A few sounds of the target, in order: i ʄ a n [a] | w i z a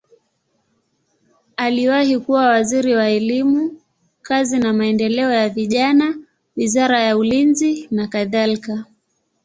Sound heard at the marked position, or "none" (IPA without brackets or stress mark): a